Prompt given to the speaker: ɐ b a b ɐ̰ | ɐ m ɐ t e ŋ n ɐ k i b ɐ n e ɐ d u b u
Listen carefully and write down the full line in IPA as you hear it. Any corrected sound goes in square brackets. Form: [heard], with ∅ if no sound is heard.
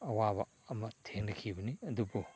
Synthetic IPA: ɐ [w] a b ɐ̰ | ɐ m ɐ [tʰ] e ŋ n ɐ [kʰ] i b ɐ n [i] ɐ d u b u